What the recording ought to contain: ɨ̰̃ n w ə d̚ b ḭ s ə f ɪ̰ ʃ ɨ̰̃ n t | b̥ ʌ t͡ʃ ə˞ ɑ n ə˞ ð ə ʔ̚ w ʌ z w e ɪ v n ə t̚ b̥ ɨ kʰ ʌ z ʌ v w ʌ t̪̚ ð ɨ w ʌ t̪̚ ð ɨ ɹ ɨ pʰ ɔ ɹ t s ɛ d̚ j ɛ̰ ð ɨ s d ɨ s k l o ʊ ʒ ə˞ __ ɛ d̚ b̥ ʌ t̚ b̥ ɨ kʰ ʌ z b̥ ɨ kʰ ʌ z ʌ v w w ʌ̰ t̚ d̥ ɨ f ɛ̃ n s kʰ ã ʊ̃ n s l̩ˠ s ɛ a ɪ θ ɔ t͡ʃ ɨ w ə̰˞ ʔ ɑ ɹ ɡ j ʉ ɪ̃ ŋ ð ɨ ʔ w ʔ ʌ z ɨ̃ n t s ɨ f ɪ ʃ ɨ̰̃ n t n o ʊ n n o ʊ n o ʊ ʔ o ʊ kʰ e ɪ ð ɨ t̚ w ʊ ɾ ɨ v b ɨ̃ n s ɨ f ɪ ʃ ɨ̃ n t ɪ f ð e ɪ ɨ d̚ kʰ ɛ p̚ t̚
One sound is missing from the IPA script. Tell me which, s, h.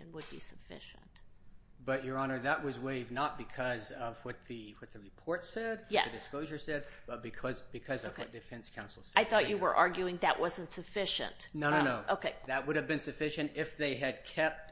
s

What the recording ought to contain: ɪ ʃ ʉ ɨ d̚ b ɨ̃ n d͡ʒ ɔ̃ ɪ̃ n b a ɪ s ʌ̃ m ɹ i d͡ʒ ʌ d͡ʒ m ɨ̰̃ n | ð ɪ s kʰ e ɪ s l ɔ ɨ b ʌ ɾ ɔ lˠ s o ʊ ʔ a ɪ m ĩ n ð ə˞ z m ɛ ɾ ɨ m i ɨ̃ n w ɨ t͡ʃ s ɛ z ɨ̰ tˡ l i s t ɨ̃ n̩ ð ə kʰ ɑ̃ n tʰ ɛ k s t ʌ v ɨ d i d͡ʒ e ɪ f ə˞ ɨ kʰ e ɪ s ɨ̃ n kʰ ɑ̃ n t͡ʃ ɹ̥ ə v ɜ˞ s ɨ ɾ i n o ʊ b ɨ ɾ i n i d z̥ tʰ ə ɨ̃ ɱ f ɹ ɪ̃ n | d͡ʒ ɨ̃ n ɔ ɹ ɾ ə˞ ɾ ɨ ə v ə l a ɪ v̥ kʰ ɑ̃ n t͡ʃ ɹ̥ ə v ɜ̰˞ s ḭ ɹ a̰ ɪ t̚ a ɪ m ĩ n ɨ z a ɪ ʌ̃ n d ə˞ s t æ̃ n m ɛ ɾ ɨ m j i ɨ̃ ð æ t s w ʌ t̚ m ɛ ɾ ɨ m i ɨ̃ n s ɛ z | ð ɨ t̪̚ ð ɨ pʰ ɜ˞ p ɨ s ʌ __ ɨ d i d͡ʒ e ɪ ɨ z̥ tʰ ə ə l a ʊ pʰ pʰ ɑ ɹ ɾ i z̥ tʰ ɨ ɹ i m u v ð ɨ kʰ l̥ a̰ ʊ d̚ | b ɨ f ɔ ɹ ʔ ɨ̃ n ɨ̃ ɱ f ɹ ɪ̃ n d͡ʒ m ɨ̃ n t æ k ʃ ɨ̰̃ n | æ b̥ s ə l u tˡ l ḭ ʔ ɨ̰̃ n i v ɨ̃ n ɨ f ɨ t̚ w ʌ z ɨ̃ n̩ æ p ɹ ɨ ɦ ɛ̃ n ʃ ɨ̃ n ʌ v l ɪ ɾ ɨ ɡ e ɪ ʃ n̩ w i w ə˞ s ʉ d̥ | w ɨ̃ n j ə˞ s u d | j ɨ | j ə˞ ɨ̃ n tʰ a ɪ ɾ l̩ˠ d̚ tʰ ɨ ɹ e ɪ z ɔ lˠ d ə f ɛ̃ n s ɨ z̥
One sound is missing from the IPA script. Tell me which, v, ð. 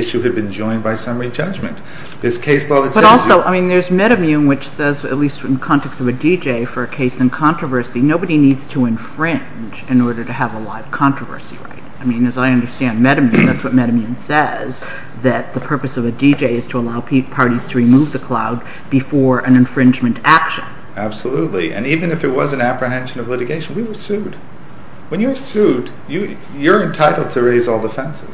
v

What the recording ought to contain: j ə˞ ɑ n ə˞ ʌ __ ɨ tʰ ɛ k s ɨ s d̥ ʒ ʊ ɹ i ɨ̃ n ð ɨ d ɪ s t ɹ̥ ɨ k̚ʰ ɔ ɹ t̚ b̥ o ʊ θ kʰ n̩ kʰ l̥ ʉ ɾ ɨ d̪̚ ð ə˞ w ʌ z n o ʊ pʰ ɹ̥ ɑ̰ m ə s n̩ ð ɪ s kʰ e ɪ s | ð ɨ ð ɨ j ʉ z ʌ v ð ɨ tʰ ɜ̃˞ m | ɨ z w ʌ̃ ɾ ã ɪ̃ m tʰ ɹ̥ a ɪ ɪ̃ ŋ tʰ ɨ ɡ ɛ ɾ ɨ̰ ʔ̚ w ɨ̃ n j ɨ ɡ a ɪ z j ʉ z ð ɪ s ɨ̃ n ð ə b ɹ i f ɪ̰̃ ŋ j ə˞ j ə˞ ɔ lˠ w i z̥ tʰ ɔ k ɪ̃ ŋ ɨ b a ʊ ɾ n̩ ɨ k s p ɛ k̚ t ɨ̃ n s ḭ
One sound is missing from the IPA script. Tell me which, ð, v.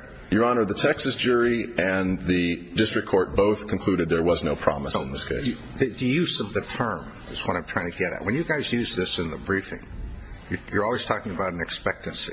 ð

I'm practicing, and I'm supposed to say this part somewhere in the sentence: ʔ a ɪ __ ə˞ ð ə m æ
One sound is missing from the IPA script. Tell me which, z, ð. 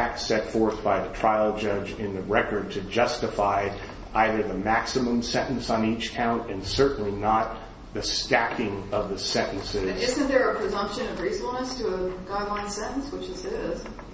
ð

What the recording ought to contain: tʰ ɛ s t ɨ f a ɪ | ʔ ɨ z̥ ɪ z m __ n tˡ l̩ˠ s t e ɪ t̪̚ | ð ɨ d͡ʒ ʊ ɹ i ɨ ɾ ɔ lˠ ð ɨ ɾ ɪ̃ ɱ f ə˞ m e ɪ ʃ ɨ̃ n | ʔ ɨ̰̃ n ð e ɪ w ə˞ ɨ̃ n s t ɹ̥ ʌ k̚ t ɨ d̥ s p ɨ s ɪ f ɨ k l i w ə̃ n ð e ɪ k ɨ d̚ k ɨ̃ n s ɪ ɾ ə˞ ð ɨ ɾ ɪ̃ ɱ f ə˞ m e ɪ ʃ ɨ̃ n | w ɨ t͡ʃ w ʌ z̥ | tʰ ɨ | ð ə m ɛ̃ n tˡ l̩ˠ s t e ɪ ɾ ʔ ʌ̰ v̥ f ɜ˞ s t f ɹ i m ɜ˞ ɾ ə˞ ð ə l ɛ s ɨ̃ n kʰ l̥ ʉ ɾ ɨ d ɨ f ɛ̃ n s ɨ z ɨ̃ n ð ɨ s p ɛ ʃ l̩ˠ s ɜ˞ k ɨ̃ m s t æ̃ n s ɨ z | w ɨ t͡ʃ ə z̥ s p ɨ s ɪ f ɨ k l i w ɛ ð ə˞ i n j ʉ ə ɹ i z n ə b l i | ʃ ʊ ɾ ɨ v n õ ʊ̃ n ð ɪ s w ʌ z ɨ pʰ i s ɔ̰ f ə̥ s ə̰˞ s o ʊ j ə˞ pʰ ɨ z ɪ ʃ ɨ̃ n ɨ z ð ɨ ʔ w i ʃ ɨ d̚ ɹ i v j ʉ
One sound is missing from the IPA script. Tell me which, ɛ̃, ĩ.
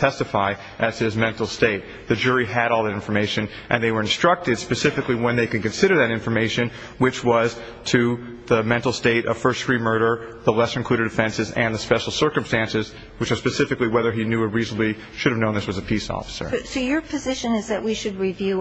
ɛ̃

